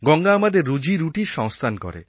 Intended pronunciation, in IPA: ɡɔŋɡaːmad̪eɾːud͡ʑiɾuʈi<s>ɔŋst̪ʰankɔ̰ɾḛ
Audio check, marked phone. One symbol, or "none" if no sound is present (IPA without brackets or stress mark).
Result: ʃ